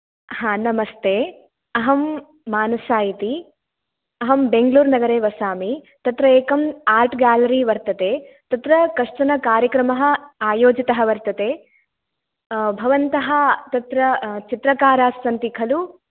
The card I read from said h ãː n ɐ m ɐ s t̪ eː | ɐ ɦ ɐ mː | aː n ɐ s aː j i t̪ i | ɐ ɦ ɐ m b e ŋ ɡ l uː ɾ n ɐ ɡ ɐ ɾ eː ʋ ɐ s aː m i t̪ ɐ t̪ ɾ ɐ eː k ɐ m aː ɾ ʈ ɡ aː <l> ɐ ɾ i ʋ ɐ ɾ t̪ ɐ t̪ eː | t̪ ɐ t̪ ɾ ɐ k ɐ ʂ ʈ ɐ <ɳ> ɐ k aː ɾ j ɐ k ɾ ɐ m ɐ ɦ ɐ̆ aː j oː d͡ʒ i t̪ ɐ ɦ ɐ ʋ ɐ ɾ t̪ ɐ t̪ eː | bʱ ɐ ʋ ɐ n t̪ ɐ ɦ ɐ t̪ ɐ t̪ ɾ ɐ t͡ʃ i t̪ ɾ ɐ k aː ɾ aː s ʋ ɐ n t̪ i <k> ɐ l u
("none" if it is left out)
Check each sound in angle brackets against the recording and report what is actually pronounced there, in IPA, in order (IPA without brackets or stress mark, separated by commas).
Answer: l, n, kʰ